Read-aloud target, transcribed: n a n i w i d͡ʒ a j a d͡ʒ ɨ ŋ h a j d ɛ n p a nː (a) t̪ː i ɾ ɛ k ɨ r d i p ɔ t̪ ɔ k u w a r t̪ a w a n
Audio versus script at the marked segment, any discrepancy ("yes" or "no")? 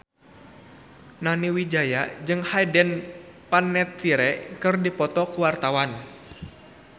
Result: yes